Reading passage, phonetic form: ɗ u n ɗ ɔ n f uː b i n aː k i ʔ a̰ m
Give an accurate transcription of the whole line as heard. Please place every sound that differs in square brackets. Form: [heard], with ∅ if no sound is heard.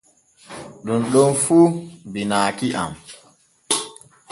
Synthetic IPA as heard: ɗ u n ɗ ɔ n f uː b i n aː k i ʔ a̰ m